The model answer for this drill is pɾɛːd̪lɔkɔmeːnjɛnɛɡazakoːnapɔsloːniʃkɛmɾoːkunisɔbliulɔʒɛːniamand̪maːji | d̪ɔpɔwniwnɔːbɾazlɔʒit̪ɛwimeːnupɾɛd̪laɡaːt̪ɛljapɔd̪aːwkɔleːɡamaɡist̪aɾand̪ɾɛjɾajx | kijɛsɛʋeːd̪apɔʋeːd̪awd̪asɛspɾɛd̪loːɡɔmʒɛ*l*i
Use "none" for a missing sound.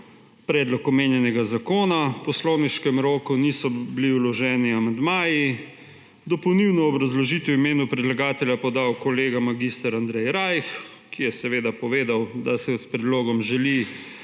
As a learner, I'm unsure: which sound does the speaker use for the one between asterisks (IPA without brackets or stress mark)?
l